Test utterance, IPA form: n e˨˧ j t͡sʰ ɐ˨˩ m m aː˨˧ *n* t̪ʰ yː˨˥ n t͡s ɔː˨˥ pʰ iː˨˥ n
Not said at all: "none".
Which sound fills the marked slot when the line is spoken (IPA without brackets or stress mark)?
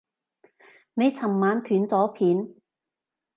n